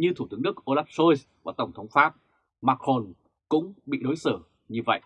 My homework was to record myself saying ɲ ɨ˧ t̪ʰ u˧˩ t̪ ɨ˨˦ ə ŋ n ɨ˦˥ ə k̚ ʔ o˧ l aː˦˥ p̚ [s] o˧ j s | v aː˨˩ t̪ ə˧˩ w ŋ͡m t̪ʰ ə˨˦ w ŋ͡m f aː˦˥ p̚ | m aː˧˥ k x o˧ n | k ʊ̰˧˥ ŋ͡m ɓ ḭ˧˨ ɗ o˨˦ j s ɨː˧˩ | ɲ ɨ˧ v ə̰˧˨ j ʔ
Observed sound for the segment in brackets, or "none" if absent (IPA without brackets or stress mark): s